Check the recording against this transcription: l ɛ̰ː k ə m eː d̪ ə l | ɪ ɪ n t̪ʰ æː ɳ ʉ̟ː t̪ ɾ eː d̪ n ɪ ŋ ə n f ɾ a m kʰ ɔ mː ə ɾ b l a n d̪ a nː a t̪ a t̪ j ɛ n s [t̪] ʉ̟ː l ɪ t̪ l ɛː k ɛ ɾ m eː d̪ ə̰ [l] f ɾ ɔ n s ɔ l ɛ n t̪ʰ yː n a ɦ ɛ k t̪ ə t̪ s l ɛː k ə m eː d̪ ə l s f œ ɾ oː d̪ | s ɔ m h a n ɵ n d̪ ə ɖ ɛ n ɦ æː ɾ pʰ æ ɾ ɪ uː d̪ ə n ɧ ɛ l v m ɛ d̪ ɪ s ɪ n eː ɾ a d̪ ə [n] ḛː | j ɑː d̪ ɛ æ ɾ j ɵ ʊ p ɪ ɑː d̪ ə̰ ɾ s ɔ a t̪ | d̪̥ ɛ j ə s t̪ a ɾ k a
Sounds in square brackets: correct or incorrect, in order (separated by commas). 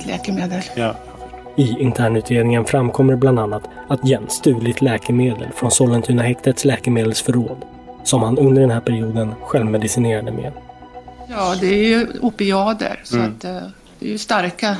correct, correct, incorrect